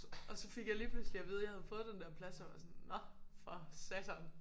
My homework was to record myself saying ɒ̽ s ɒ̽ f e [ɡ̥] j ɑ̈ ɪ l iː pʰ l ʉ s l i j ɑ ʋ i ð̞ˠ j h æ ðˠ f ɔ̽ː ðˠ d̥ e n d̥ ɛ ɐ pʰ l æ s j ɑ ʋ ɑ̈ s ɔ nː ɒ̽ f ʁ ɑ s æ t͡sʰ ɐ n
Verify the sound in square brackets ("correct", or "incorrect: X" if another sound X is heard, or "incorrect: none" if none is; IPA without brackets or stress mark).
correct